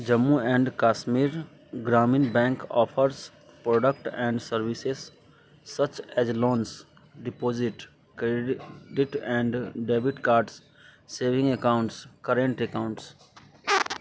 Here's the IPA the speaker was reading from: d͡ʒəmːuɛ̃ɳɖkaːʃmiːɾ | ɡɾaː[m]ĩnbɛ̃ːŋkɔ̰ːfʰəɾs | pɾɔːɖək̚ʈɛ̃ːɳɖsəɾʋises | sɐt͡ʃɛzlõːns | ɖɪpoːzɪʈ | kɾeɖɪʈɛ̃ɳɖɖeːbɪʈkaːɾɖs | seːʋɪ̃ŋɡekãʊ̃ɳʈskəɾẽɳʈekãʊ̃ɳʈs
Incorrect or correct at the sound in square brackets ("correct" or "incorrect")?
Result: correct